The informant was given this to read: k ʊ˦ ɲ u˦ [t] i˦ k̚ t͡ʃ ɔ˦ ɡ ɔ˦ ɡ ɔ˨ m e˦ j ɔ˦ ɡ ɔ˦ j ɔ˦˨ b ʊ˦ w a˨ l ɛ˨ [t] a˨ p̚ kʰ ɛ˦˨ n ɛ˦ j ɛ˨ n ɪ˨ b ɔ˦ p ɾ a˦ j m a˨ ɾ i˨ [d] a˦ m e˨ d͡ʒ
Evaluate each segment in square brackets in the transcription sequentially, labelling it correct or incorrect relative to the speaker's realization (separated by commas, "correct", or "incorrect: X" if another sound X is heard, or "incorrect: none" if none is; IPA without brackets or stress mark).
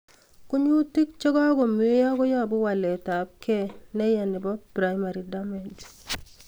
correct, correct, correct